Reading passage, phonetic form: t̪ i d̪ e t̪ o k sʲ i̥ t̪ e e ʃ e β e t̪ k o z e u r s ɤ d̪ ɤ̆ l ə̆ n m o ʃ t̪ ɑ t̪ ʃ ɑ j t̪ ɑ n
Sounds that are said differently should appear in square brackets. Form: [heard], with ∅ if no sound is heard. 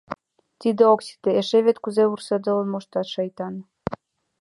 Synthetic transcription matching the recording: t̪ i d̪ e [∅] o k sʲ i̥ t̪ e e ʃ e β e t̪ k [u] z e u r s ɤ d̪ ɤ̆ l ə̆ n m o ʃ t̪ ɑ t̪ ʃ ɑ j t̪ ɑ n